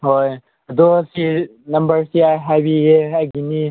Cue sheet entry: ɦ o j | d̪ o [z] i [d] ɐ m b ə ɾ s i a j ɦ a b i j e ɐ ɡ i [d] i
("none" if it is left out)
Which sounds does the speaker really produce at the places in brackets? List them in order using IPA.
s, n, n

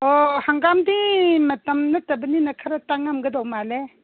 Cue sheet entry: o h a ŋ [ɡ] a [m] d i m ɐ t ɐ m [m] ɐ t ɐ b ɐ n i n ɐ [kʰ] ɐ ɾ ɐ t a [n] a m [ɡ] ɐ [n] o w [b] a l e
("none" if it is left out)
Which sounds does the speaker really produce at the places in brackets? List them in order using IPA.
ɡ, m, n, kʰ, ŋ, ɡ, d, m

